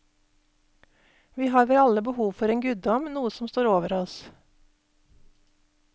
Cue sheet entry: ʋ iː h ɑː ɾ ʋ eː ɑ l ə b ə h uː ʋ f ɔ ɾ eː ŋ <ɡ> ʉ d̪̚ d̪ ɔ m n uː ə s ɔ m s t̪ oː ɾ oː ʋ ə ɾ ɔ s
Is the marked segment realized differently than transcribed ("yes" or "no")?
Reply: no